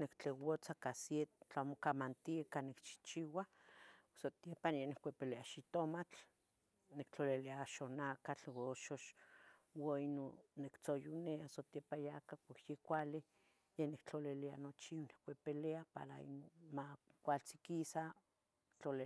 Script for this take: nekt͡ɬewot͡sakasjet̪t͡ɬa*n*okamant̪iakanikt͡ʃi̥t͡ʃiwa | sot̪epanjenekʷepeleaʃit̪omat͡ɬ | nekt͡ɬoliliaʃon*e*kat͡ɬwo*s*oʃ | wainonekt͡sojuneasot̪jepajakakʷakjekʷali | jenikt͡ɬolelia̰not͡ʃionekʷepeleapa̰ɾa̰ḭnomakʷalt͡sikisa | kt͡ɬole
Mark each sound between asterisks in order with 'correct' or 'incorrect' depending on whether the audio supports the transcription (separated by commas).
incorrect, incorrect, incorrect